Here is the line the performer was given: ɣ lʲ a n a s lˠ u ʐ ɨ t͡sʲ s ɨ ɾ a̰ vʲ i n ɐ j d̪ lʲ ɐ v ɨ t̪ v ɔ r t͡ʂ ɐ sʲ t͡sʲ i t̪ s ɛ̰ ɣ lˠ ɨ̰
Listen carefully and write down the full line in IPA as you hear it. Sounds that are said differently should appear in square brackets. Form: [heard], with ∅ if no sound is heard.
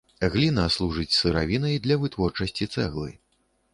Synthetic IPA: ɣ lʲ [i] n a s lˠ u ʐ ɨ t͡sʲ s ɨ ɾ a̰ vʲ i n ɐ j d̪ lʲ ɐ v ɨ t̪ v ɔ r t͡ʂ ɐ sʲ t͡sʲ i t̪ s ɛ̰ ɣ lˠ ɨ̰